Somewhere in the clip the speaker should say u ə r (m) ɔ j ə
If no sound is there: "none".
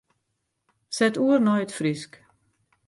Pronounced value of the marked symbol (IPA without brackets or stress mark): n